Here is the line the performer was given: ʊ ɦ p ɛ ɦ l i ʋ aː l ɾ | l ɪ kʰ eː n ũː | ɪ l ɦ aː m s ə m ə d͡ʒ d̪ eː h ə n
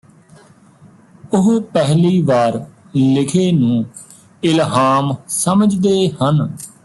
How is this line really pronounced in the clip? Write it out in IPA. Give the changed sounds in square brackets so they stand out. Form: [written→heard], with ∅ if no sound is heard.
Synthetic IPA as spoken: ʊ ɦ p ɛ ɦ l [i→iː] ʋ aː [l→∅] ɾ | l ɪ kʰ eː n ũː | ɪ l ɦ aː m s ə m ə d͡ʒ d̪ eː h ə n